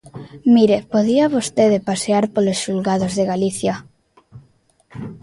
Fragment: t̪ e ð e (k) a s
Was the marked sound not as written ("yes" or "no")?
yes